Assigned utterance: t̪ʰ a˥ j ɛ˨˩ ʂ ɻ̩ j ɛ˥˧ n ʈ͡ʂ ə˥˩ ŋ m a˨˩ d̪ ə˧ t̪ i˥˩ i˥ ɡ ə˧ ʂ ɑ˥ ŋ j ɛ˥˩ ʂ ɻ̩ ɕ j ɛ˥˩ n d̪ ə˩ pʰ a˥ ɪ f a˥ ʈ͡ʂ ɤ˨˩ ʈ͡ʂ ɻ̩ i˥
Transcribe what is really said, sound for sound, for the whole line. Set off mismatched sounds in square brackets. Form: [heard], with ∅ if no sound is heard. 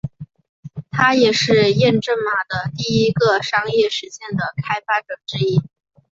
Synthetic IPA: t̪ʰ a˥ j ɛ˨˩ ʂ ɻ̩ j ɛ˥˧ n ʈ͡ʂ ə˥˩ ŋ m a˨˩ d̪ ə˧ t̪ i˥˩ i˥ ɡ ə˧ ʂ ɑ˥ ŋ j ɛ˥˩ ʂ ɻ̩ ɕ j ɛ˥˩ n d̪ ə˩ [kʰ] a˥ ɪ f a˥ ʈ͡ʂ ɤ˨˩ ʈ͡ʂ ɻ̩ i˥